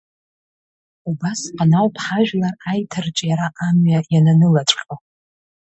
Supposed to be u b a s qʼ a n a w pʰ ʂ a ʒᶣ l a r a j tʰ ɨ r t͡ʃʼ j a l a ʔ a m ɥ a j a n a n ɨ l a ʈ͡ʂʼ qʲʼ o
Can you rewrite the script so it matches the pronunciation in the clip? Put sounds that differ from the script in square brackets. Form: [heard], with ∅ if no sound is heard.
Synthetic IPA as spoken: u b a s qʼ a n a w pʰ [ħ] a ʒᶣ l a r a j tʰ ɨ r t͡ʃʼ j a [ɾ] a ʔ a m ɥ a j a n a n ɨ l a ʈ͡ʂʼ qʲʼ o